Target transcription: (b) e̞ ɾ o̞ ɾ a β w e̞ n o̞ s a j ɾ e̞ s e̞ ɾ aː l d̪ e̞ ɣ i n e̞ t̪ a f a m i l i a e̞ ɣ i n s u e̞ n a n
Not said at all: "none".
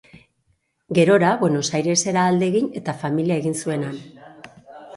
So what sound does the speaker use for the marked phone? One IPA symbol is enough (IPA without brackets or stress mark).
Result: ɡ